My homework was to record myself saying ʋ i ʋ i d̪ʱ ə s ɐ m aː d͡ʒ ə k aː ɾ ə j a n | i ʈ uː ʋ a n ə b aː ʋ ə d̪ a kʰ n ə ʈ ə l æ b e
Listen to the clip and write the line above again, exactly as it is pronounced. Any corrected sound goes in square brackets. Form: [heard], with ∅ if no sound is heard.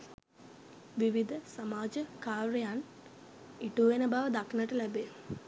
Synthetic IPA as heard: ʋ i ʋ i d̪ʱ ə s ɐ m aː d͡ʒ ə k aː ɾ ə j a n | i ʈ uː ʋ [e] n ə b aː ʋ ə d̪ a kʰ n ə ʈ ə l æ b e